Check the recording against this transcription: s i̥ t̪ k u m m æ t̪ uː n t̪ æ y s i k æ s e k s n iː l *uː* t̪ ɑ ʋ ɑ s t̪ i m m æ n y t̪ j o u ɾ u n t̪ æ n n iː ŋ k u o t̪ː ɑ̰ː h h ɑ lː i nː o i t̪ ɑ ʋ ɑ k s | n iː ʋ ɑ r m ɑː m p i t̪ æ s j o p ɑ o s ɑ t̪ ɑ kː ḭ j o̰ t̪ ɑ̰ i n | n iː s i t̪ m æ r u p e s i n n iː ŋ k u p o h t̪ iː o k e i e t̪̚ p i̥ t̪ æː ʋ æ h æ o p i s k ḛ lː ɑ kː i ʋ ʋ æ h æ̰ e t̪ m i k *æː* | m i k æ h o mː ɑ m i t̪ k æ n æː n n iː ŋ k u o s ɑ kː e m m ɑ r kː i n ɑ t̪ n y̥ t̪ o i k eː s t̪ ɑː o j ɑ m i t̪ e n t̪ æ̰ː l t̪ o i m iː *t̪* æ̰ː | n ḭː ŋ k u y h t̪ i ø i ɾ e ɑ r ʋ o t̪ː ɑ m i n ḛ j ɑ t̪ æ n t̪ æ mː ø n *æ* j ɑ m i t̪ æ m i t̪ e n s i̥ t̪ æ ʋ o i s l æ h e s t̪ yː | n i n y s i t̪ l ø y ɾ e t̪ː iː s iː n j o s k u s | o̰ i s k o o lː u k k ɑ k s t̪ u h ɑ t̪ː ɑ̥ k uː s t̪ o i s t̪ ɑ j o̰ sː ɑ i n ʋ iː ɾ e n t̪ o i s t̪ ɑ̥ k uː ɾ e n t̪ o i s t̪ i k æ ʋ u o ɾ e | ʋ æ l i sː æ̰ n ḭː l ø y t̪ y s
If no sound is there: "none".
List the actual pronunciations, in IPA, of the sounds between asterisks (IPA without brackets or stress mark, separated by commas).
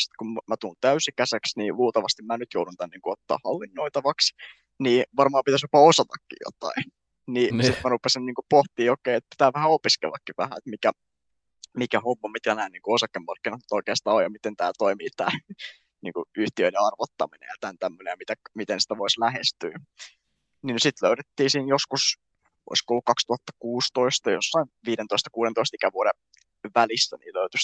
uː, æ, t̪, e